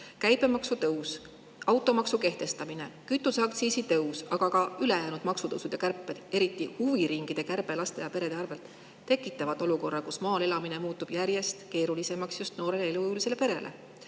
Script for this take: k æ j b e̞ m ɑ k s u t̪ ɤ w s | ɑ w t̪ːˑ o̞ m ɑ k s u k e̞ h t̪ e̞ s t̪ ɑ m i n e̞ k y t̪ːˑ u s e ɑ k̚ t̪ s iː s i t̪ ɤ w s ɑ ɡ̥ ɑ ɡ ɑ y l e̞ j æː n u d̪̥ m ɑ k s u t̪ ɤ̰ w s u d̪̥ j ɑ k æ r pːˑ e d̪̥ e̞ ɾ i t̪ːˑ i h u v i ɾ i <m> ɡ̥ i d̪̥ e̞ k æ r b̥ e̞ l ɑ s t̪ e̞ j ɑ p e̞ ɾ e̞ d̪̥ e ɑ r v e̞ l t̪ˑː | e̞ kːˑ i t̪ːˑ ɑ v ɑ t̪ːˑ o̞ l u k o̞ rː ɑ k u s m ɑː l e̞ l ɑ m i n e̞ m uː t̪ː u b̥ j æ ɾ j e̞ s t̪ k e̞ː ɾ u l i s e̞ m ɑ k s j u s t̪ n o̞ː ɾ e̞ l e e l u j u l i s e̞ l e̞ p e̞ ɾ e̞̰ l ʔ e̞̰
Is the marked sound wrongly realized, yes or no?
yes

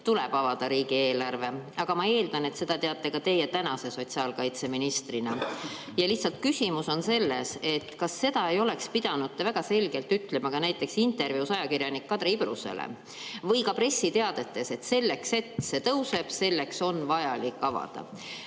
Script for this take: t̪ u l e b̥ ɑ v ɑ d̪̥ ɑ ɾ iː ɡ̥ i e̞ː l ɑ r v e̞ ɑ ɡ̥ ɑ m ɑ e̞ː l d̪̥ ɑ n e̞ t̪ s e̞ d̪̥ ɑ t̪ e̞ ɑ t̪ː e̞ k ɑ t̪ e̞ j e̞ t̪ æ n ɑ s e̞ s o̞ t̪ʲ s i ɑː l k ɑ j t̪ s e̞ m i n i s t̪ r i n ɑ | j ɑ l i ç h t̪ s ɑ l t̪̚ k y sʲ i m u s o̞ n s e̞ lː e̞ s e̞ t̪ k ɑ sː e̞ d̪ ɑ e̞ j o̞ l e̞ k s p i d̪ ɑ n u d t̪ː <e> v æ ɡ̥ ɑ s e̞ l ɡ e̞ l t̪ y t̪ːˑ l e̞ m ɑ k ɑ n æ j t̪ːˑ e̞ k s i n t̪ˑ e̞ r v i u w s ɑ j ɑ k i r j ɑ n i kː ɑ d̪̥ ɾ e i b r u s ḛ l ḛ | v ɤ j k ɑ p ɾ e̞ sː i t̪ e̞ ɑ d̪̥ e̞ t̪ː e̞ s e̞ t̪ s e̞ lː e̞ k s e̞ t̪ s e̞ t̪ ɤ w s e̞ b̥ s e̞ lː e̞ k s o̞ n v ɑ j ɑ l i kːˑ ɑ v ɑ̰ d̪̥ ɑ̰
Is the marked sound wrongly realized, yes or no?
no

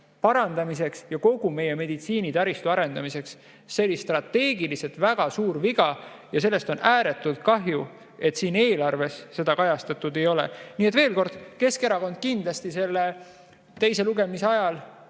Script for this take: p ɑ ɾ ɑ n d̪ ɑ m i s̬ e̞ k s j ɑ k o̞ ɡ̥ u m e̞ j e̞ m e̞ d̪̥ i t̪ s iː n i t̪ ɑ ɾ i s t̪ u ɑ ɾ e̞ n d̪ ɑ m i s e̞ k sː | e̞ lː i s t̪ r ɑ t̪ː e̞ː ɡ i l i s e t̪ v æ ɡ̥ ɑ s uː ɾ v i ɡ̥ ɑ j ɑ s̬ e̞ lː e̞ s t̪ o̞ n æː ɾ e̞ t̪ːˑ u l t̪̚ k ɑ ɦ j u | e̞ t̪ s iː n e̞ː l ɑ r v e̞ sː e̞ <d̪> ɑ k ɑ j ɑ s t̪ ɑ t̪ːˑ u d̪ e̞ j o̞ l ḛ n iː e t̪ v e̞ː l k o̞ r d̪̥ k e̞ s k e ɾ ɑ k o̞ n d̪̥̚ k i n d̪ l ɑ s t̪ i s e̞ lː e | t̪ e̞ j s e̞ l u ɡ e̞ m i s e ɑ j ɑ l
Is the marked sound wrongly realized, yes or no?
no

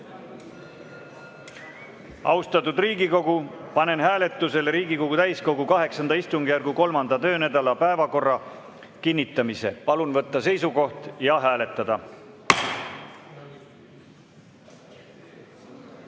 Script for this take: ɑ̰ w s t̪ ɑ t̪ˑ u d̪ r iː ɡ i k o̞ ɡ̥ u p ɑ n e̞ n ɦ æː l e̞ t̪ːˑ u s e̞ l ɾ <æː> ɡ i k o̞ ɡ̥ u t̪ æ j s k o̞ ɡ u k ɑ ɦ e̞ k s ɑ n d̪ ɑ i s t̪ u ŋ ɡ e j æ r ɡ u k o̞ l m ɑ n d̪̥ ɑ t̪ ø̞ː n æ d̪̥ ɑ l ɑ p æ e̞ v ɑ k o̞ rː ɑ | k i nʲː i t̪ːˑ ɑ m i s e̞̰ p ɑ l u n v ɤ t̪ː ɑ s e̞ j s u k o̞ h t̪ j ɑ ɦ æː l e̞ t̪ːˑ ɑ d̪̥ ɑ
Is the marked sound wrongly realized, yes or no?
yes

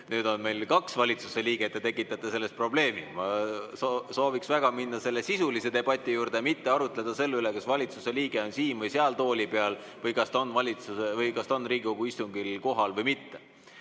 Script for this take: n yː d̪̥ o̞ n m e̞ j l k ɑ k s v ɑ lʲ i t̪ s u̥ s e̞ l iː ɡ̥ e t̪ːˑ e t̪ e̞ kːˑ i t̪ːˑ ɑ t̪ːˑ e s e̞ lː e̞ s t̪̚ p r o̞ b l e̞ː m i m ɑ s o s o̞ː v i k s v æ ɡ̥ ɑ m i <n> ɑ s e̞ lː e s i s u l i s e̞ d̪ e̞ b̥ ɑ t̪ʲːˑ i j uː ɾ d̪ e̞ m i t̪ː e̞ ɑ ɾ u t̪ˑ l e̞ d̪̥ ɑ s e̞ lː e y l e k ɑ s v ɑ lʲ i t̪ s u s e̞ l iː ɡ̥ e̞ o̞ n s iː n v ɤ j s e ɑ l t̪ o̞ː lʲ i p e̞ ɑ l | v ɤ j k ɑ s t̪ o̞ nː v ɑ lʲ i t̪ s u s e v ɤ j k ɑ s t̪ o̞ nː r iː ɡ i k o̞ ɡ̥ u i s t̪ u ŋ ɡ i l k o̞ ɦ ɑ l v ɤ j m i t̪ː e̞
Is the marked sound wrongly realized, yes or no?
yes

